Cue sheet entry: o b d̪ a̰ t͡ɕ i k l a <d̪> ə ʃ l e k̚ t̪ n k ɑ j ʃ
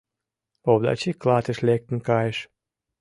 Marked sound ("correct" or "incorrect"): incorrect